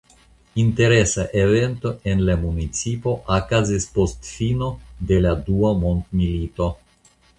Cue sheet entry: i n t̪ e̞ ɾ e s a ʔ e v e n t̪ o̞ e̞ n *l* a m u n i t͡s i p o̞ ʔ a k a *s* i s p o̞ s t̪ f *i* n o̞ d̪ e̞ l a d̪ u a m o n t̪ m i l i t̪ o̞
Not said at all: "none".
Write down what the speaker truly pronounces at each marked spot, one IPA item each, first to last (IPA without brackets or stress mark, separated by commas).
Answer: l, z, i